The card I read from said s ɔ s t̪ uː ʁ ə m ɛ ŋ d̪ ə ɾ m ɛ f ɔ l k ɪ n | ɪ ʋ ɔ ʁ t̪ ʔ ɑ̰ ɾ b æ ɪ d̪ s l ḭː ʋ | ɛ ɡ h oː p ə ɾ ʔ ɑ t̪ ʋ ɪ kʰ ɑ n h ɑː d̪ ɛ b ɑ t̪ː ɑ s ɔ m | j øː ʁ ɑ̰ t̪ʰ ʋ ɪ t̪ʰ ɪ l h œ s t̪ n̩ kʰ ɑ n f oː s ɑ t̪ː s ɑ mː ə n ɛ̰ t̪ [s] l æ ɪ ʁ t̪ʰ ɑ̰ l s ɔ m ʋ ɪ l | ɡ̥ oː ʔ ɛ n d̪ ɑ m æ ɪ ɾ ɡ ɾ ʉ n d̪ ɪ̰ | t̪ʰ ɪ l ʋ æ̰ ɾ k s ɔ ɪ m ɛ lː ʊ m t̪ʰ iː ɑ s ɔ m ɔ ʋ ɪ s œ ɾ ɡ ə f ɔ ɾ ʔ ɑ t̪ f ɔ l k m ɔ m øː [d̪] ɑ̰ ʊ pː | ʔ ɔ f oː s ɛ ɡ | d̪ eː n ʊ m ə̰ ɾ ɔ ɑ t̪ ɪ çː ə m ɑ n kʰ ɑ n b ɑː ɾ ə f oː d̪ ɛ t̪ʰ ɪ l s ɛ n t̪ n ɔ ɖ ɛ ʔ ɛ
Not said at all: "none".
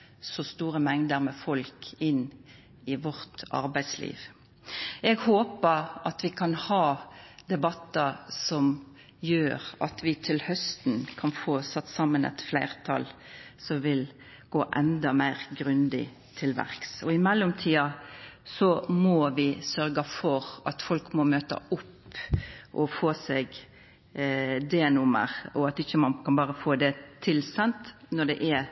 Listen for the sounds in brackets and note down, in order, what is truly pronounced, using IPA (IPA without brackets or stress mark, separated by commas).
f, t̪